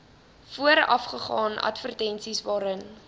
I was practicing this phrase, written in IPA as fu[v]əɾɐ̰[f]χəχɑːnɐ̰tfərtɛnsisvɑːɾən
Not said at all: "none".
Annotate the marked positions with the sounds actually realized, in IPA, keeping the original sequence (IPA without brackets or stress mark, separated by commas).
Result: none, f